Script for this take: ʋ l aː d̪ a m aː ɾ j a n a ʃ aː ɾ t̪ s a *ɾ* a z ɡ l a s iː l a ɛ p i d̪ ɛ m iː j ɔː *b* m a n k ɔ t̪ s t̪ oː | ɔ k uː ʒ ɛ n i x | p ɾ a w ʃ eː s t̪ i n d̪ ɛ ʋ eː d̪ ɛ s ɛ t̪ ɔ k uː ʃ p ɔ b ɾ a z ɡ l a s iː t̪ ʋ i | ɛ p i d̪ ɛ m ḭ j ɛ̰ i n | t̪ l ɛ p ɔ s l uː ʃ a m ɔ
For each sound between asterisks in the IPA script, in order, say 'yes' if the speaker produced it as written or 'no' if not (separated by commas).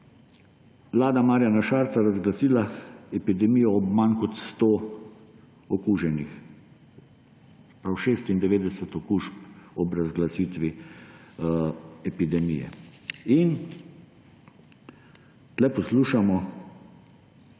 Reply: yes, yes